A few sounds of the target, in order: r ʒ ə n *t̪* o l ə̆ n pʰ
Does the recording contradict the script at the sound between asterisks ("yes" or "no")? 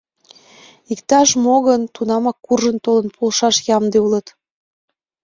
no